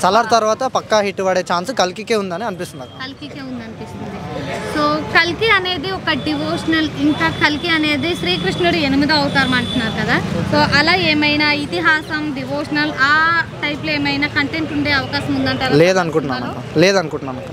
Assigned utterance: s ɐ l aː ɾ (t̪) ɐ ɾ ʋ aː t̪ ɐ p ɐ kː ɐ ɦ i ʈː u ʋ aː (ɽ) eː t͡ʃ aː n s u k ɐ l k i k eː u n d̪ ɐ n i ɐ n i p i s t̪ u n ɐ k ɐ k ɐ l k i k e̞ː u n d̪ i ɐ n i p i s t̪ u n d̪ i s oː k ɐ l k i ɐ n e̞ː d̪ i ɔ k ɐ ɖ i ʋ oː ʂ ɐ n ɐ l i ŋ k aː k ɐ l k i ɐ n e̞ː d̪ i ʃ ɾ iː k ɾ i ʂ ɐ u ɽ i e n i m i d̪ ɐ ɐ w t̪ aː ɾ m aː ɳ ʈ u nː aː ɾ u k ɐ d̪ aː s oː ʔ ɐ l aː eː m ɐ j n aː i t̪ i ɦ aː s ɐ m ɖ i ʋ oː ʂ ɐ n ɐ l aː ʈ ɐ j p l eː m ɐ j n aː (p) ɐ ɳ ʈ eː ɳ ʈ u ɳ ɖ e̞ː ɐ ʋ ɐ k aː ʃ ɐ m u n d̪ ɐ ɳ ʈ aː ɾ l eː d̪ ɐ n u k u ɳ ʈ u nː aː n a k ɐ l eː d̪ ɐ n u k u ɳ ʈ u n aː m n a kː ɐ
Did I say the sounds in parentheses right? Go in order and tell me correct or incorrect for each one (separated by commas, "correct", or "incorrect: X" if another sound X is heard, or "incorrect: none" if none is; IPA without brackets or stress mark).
correct, correct, incorrect: k